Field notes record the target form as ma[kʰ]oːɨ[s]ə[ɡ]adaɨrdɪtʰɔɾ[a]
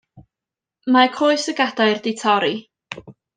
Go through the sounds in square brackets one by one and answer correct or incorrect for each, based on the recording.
correct, correct, correct, incorrect

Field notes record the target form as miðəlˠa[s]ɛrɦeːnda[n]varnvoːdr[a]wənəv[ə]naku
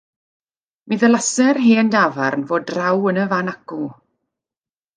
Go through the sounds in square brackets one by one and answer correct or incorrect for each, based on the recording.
correct, incorrect, correct, incorrect

